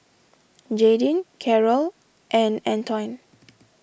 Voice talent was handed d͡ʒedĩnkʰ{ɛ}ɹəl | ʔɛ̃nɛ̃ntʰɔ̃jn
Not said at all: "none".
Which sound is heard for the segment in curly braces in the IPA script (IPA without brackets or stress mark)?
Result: ɛ